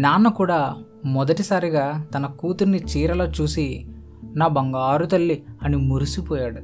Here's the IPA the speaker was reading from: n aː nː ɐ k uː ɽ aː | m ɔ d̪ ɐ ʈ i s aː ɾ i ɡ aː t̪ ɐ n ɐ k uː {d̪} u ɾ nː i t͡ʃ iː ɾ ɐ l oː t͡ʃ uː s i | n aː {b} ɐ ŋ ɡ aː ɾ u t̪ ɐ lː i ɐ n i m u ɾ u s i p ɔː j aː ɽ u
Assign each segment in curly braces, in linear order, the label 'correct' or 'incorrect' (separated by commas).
incorrect, correct